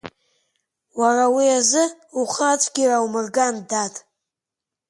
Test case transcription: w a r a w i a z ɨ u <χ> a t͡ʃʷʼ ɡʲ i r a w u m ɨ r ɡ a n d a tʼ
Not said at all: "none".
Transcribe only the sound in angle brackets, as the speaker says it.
χ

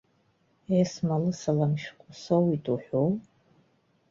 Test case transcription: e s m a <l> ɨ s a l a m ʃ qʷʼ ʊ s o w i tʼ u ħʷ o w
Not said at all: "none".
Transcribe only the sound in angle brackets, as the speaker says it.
l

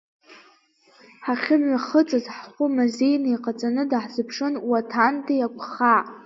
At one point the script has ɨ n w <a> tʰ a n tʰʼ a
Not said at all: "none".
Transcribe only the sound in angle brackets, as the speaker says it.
a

